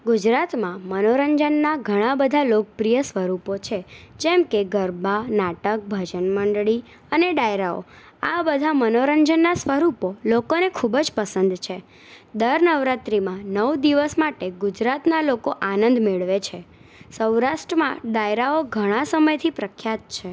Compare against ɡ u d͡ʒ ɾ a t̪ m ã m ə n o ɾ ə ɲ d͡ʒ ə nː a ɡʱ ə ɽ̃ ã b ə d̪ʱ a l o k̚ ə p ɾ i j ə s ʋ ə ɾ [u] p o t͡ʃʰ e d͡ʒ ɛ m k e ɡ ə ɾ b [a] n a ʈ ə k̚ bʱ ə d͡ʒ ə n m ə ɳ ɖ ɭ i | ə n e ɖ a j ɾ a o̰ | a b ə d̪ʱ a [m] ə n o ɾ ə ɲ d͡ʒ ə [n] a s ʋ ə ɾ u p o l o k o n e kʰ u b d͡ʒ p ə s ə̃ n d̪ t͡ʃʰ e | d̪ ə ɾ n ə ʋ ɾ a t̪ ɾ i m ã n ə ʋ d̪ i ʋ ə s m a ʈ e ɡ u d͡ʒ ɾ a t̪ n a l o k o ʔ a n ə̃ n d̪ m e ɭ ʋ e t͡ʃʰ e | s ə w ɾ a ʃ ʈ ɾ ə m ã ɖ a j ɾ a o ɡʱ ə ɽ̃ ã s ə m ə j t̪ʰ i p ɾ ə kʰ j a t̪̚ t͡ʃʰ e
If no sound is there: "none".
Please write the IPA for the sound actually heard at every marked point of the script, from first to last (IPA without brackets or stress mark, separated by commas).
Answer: u, a, m, nː